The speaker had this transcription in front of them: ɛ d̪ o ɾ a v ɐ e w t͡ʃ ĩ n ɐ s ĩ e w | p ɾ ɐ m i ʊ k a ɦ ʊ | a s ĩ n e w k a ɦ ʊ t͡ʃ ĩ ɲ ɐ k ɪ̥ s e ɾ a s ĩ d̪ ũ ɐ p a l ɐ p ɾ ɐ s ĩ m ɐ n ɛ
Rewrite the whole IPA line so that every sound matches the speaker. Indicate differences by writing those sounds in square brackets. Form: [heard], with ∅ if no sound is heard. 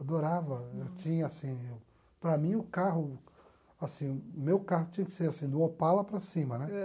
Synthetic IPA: [a] d̪ o ɾ a v ɐ e w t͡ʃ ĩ [ɲ] ɐ s ĩ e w | p ɾ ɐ m [ĩ] ʊ k a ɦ ʊ | a s ĩ [m] e w k a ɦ ʊ t͡ʃ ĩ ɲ ɐ k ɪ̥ s e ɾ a s ĩ d̪ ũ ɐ p a l ɐ p ɾ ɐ s ĩ m ɐ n ɛ